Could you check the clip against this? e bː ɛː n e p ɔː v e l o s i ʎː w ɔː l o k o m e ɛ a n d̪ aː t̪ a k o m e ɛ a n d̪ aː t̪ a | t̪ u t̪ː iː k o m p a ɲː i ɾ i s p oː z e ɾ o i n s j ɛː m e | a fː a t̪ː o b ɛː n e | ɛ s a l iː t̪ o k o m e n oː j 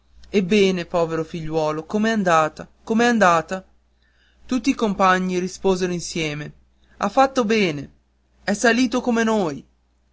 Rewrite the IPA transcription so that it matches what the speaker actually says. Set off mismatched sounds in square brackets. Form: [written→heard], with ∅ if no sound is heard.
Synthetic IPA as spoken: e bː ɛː n e p ɔː v e [l→ɾ] o [s→f] i ʎː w ɔː l o k o m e ɛ a n d̪ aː t̪ a k o m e ɛ a n d̪ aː t̪ a | t̪ u t̪ː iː k o m p a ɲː i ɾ i s p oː z e ɾ o i n s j ɛː m e | a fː a t̪ː o b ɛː n e | ɛ s a l iː t̪ o k o m e n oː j

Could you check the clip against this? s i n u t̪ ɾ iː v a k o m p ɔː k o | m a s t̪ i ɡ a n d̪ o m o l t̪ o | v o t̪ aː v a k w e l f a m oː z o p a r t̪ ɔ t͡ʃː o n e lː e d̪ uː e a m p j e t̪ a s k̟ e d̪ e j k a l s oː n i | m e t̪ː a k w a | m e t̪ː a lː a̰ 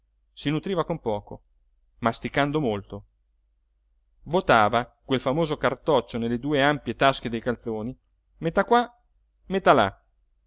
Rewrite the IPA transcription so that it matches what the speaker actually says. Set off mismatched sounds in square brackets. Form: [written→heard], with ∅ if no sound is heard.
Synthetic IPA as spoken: s i n u t̪ ɾ iː v a k o m p ɔː k o | m a s t̪ i [ɡ→k] a n d̪ o m o l t̪ o | v o t̪ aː v a k w e l f a m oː z o [p→k] a r t̪ ɔ t͡ʃː o n e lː e d̪ uː e a m p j e t̪ a s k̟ e d̪ e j k a l s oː n i | m e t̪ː a k w a | m e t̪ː a [lː→l] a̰

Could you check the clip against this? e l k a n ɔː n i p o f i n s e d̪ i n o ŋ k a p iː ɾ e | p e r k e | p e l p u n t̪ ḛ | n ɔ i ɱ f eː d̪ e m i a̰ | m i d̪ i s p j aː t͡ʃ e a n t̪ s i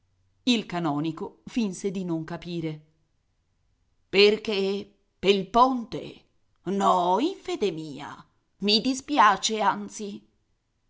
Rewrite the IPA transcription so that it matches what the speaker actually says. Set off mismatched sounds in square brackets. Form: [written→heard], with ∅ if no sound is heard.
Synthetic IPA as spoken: [e→i] l k a n ɔː n i [p→k] o f i n s e d̪ i n o ŋ k a p iː ɾ e | p e r k e | p e l p [u→o] n t̪ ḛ | n ɔ i ɱ f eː d̪ e m [i→iː] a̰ | m i d̪ i s p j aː t͡ʃ e a n t̪ s i

